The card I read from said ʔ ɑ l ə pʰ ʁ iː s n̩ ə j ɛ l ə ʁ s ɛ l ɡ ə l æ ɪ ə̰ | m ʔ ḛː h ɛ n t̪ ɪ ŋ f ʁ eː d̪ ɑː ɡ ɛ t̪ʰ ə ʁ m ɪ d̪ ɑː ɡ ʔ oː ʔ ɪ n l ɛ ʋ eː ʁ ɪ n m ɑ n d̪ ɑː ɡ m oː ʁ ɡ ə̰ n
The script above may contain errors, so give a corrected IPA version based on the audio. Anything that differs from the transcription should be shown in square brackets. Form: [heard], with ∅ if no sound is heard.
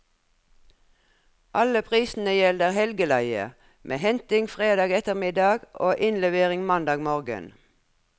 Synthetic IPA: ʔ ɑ l ə pʰ ʁ iː s n̩ ə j ɛ l ə ʁ [h] ɛ l ɡ ə l æ ɪ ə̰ | m ʔ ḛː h ɛ n t̪ ɪ ŋ f ʁ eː d̪ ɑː ɡ ɛ [t̪] ə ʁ m ɪ d̪ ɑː ɡ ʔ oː ʔ ɪ n l ɛ ʋ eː ʁ ɪ [ŋ] m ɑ n d̪ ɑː ɡ m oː ʁ ɡ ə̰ n